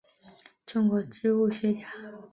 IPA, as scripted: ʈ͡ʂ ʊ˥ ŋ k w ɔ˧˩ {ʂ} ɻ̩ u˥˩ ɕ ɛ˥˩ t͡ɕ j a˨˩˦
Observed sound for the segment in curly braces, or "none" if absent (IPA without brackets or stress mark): ʈ͡ʂ